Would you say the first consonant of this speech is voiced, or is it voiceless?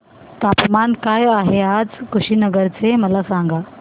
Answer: voiceless